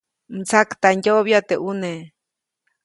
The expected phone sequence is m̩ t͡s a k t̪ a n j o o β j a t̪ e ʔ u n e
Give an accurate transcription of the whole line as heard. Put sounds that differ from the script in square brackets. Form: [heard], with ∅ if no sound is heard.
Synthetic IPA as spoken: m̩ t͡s a k t̪ a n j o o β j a t̪ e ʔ u n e